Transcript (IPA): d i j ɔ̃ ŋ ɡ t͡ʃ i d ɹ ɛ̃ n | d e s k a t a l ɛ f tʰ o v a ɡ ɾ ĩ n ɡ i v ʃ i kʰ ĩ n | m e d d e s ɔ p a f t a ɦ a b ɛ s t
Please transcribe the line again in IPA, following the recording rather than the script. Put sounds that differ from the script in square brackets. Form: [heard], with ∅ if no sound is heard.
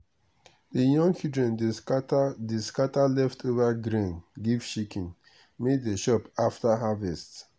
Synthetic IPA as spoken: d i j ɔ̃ ŋ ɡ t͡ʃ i d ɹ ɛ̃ n | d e s k a t a l ɛ f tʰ o v a ɡ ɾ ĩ n ɡ i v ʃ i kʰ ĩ n | m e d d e [ʃ] ɔ p a f t a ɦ a [v] ɛ s t